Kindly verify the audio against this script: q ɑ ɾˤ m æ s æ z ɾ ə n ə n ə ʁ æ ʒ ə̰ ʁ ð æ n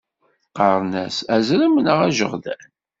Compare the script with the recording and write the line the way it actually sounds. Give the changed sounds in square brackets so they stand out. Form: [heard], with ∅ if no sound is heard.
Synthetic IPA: q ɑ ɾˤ [n] æ s æ z ɾ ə [m] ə n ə ʁ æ ʒ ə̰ ʁ ð æ n